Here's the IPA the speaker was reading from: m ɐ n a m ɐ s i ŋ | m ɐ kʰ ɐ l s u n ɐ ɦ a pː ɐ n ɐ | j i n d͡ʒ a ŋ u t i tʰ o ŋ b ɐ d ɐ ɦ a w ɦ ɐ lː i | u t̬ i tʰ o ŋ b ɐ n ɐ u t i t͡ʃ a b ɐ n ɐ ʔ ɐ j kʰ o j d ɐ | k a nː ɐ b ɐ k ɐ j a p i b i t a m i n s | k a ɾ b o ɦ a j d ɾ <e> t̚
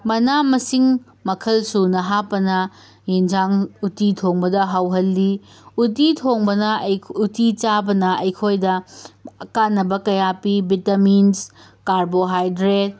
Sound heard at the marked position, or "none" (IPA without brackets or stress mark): e